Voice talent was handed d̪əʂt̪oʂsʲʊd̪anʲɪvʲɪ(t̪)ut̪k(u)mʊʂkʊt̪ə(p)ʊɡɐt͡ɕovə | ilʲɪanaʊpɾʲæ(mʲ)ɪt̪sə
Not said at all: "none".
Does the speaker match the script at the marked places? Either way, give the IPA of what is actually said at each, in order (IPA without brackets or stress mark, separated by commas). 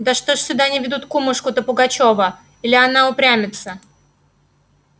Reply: d̪, u, p, mʲ